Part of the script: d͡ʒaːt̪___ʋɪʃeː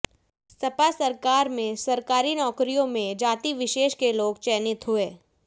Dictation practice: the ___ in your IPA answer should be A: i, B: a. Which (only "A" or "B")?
A